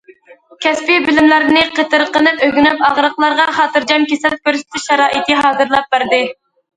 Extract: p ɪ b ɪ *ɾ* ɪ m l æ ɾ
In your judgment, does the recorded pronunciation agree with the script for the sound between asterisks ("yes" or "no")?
no